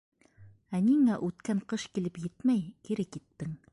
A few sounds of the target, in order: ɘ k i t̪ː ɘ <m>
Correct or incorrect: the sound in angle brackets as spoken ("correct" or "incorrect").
incorrect